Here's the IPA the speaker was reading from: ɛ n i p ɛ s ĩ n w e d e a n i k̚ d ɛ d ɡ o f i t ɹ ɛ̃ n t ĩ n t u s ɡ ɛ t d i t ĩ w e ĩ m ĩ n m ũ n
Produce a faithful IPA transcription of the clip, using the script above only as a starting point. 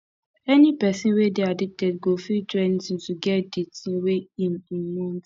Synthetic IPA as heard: ɛ n i p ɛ s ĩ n w e d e a d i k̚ t ɛ d ɡ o f i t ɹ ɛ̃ n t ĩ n t u ɡ ɛ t d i t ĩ w e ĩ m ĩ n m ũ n